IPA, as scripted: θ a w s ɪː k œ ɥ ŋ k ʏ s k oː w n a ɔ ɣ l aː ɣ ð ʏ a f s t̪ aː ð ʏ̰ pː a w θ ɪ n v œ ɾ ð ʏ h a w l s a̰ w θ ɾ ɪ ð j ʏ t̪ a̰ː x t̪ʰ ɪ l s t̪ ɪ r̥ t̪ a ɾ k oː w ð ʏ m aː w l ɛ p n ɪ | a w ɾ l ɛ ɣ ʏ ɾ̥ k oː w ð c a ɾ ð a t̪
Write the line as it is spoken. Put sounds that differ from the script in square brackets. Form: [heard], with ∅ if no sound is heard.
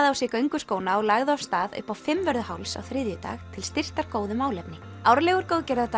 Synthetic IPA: [ð] a w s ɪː k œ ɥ ŋ k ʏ s k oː w n a ɔ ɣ l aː ɣ ð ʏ a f s t̪ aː ð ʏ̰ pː a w [f] ɪ [m] v œ ɾ ð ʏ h a w l s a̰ w θ ɾ ɪ ð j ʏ t̪ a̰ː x t̪ʰ ɪ l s t̪ ɪ r̥ t̪ a ɾ k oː w ð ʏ m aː w l ɛ p n ɪ | a w ɾ l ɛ ɣ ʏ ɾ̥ k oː w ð c [ɛ] ɾ ð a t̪